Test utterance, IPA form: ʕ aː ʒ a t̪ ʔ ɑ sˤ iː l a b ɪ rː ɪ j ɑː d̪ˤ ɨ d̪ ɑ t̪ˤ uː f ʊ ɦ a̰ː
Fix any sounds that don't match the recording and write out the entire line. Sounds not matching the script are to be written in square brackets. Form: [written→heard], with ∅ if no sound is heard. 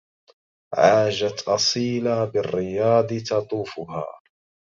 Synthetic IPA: ʕ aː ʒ a t̪ ʔ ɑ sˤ iː l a b ɪ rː ɪ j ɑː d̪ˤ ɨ [d̪→t̪] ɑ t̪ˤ uː f ʊ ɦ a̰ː